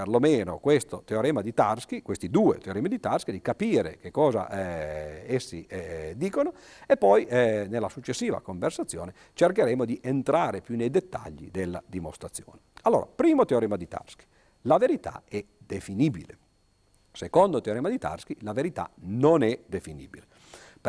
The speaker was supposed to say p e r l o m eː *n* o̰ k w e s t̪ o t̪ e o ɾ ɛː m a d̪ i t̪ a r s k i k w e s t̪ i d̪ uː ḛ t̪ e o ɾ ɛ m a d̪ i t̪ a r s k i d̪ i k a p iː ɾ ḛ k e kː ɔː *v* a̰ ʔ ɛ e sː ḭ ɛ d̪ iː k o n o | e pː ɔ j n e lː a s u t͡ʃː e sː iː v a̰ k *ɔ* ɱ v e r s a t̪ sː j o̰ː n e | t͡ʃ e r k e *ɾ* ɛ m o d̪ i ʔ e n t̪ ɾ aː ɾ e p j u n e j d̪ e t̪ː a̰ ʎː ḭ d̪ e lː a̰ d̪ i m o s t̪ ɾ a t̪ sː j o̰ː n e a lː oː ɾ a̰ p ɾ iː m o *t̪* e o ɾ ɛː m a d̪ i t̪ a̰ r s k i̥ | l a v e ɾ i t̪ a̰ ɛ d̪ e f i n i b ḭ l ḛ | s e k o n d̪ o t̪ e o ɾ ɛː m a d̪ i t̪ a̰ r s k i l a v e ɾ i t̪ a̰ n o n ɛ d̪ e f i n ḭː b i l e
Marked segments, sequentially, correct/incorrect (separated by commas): correct, incorrect, incorrect, correct, correct